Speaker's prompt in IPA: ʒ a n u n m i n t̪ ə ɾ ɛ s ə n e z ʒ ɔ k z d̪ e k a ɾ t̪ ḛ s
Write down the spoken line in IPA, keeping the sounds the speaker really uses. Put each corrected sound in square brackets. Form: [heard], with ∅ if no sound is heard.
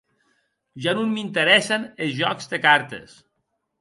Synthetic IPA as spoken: ʒ a n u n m i n t̪ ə ɾ ɛ s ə n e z ʒ ɔ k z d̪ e k a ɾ t̪ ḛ s